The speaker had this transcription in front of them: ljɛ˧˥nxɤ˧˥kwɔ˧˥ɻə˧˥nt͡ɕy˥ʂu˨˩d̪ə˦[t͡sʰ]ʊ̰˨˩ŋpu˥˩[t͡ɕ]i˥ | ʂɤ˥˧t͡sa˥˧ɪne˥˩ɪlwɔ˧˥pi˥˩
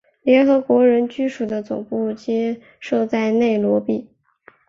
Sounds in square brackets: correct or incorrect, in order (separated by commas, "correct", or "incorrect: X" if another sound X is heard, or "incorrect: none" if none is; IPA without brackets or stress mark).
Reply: incorrect: t͡s, correct